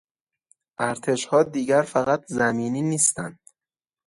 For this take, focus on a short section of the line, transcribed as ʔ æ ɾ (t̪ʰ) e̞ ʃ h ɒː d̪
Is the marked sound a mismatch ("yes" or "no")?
no